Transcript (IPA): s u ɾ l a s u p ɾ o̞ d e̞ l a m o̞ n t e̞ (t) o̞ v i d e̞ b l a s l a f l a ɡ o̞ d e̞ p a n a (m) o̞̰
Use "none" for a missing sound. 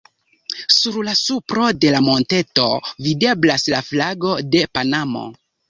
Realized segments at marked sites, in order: t, m

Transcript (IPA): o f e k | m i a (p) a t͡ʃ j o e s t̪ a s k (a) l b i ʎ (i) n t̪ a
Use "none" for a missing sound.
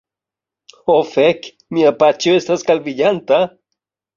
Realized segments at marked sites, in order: p, a, a

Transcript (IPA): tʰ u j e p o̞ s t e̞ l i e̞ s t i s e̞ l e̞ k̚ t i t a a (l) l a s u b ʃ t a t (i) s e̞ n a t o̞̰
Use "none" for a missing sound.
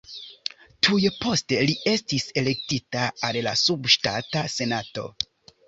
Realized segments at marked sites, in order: l, a

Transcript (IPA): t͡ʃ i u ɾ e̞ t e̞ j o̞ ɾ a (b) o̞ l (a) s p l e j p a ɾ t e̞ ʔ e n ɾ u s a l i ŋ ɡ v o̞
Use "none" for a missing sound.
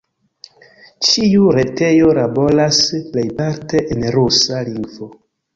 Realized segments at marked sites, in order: b, a

